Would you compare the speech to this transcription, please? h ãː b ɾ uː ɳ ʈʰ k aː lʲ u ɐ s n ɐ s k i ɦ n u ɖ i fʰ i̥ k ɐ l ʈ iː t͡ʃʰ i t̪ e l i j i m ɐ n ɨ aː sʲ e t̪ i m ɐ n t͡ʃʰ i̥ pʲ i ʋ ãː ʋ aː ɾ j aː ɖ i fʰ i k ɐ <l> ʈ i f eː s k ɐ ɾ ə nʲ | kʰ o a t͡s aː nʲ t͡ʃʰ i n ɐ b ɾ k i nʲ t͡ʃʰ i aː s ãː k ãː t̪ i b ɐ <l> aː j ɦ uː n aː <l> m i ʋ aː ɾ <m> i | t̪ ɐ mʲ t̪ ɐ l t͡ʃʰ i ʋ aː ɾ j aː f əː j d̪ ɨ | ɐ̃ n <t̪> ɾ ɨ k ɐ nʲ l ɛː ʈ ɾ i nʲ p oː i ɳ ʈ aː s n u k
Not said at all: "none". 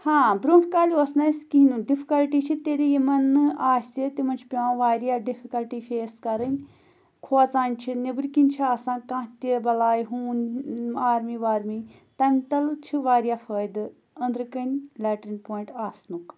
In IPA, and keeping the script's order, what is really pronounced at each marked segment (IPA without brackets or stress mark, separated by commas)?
l, l, ɾ, m, d̪